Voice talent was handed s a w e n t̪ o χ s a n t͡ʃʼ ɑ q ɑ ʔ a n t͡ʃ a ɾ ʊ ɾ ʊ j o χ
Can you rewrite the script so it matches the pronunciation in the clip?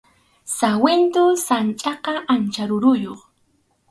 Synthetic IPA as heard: s a w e n t̪ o s a n t͡ʃʼ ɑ q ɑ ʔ a n t͡ʃ a ɾ ʊ ɾ ʊ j o χ